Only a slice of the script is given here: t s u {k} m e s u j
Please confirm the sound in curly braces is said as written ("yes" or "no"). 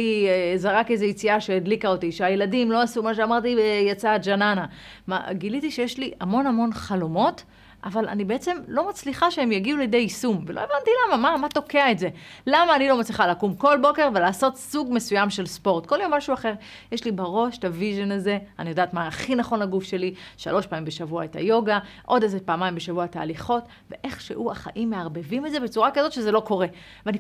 no